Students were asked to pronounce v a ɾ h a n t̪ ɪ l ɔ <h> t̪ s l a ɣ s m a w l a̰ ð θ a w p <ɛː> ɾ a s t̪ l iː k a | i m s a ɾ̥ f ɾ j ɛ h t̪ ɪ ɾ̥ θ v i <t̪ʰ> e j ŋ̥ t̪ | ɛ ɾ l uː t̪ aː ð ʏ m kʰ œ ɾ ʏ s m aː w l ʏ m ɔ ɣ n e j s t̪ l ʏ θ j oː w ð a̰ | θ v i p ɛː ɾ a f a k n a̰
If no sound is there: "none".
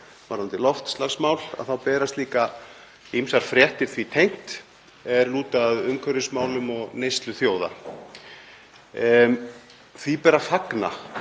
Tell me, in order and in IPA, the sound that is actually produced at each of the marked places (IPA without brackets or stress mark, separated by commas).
f, ɛː, t̪ʰ